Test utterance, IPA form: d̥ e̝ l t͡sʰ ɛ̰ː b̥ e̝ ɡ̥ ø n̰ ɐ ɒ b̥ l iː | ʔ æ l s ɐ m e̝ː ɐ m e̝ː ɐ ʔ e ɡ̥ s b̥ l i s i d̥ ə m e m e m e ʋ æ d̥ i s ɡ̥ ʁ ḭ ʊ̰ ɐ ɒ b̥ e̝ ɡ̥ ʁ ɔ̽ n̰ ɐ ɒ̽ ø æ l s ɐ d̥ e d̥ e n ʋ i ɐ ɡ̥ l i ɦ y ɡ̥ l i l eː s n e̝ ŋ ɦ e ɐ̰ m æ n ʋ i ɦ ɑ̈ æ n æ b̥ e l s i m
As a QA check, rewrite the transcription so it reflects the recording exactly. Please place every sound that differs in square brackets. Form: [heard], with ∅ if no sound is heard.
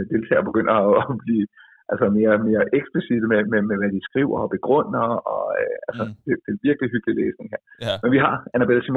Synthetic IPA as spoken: d̥ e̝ l t͡sʰ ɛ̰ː b̥ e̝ ɡ̥ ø n̰ ɐ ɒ b̥ l iː | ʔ æ l s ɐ m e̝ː ɐ m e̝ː ɐ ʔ e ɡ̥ s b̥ l i s i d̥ ə m e m e m e ʋ æ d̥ i s ɡ̥ ʁ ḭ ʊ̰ ɐ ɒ b̥ e̝ ɡ̥ ʁ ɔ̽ n̰ ɐ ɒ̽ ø æ l s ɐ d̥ e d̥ e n ʋ i ɐ ɡ̥ l i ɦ y ɡ̥ l i l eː s n e̝ ŋ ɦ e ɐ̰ m [e] n ʋ i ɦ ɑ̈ æ n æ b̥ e l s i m